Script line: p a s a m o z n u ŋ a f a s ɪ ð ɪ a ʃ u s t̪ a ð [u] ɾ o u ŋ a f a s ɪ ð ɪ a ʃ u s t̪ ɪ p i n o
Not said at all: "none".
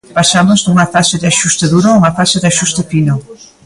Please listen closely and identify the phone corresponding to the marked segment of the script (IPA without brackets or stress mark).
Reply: u